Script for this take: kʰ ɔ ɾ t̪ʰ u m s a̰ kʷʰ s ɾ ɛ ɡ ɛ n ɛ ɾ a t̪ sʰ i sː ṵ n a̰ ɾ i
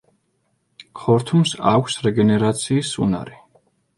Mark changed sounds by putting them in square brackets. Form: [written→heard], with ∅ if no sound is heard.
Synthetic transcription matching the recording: kʰ ɔ ɾ t̪ʰ u m s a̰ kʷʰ s ɾ ɛ ɡ ɛ n ɛ ɾ a t̪ sʰ [i→iː] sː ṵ n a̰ ɾ i